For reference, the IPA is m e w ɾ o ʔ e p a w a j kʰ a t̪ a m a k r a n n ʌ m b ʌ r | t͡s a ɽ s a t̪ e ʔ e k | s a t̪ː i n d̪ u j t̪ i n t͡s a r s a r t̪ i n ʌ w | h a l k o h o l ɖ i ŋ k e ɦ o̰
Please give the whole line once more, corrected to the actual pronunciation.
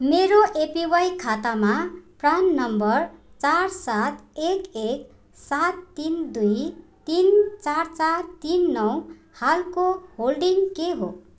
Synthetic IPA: m e ɾ o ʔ e p i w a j kʰ a t̪ a m a p r a n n ʌ m b ʌ r | t͡s a r s a t̪ e k e k | s a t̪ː i n d̪ u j t̪ i n t͡s a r t͡s a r t̪ i nː ʌ w | h a l k o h o l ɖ i ŋ k e ɦ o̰